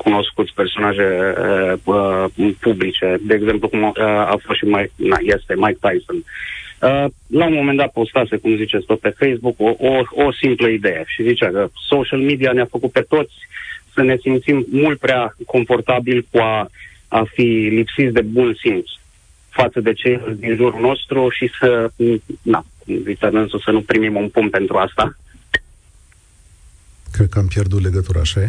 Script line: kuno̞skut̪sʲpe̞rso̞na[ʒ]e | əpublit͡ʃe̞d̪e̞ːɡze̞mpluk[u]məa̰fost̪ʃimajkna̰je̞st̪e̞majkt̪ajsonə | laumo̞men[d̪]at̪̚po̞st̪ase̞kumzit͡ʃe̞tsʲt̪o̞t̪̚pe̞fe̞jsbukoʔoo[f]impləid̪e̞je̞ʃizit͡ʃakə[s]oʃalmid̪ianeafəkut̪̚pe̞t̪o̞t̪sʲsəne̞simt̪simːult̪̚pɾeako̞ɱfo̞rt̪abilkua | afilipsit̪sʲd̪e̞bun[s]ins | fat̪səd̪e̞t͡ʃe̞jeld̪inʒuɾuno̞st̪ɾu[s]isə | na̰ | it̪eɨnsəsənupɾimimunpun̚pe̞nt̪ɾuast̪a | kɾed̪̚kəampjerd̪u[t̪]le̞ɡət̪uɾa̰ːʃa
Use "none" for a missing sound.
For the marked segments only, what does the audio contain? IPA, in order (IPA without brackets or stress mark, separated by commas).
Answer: ʒ, u, d̪, s, s, s, ʃ, t̪